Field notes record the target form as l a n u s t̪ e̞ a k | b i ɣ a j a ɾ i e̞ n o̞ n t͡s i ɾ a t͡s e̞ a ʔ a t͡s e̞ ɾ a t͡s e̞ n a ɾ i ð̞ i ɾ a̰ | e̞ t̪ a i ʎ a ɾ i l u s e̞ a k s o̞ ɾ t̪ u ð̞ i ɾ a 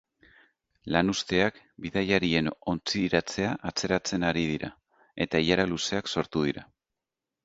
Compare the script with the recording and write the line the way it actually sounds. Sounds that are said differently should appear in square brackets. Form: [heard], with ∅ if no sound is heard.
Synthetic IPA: l a n u s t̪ e̞ a k | b i [ð] a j a ɾ i e̞ n o̞ n t͡s i ɾ a t͡s e̞ a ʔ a t͡s e̞ ɾ a t͡s e̞ n a ɾ i ð̞ i ɾ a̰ | e̞ t̪ a i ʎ a ɾ [a] l u s e̞ a k s o̞ ɾ t̪ u ð̞ i ɾ a